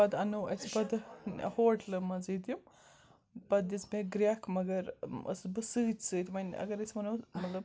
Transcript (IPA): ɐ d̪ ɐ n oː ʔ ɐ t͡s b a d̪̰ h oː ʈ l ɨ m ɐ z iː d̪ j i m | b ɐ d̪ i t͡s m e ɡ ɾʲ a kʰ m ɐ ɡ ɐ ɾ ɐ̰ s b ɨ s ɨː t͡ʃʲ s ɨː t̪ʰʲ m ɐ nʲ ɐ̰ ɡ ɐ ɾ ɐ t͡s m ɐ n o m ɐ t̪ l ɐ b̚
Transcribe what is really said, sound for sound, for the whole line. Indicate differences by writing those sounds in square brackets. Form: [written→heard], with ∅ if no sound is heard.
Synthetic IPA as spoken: ɐ d̪ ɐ n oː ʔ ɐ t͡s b [a→ɐ] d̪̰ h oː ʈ l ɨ m ɐ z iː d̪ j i m | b ɐ d̪ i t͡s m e ɡ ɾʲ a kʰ m ɐ ɡ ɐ ɾ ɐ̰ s b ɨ s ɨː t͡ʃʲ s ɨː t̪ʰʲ m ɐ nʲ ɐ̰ ɡ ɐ ɾ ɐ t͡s m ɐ n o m ɐ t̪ l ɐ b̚